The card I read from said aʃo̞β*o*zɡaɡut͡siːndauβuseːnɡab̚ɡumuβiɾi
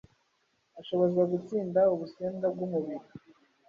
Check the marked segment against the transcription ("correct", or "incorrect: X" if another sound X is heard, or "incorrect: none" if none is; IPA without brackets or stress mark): correct